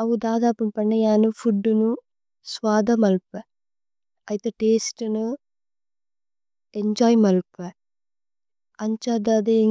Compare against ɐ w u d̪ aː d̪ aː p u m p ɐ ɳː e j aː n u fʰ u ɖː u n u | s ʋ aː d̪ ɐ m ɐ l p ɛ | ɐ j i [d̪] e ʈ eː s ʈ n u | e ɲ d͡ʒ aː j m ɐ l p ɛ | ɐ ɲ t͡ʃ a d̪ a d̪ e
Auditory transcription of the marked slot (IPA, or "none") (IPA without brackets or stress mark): t̪